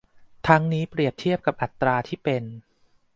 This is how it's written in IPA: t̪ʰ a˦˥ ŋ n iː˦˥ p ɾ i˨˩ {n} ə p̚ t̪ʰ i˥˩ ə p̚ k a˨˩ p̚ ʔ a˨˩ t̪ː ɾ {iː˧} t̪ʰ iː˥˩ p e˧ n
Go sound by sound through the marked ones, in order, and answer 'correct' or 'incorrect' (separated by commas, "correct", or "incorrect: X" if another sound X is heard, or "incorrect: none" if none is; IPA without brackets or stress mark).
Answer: incorrect: none, incorrect: aː˧